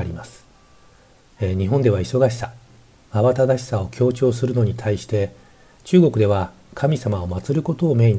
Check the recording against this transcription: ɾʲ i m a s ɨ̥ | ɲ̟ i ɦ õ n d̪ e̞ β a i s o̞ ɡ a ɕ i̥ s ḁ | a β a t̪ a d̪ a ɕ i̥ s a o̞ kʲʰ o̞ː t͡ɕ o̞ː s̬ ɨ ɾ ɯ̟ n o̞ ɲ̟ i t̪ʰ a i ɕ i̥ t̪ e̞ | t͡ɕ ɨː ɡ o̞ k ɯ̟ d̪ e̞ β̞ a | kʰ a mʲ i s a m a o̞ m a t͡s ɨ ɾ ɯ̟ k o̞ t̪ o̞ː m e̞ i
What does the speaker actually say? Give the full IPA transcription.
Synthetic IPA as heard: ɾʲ i m a s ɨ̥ | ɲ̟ i ɦ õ n d̪ e̞ β a i s o̞ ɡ a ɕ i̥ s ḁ | a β a t̪ a d̪ a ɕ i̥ s a o̞ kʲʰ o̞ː t͡ɕ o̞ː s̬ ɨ ɾ ɯ̟ n o̞ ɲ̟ i t̪ʰ a i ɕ i̥ t̪ e̞ | t͡ɕ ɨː ɡ o̞ k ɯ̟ d̪ e̞ β̞ a | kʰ a mʲ i s a m a o̞ m a t͡s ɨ ɾ ɯ̟ k o̞ t̪ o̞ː m e̞ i